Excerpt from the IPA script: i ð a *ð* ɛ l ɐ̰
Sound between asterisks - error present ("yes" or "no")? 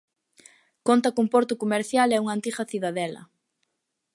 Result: no